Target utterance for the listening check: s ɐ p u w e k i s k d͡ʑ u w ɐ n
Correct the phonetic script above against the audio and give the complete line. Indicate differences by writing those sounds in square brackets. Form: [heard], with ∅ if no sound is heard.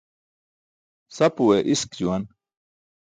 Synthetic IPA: s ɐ p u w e [ʔ] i s k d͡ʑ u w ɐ n